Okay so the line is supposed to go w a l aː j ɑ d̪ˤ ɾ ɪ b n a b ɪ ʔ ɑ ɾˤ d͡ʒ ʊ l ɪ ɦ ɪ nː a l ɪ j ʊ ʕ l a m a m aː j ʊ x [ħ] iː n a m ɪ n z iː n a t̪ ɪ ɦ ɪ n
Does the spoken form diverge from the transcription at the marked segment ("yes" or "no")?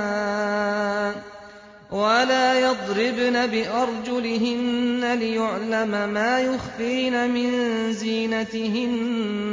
yes